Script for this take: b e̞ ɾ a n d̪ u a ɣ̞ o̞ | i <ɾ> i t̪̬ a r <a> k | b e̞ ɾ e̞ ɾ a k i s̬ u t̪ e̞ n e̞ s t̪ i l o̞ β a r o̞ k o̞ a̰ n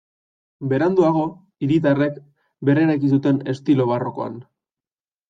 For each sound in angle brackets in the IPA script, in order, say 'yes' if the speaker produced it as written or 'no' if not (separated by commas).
yes, no